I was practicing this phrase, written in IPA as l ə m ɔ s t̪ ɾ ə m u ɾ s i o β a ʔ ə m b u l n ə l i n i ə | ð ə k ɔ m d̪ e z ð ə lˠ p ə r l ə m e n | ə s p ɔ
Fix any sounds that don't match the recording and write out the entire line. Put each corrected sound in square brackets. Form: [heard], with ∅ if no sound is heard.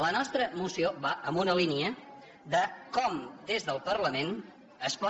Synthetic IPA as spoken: l ə [n] ɔ s t̪ ɾ ə m u [∅] s i o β a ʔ ə m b u [∅] n ə l i n i ə | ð ə k ɔ m d̪ e z ð ə lˠ p ə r l ə m e n | ə s p ɔ